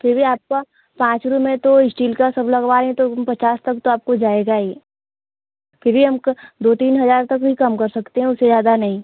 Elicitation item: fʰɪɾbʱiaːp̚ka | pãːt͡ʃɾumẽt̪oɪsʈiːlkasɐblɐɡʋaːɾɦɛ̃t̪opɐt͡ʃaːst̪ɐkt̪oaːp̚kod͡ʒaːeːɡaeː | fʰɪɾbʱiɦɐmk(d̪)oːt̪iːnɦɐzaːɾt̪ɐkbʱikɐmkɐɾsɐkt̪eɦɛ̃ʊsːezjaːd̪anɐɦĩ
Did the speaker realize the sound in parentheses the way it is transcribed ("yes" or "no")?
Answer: yes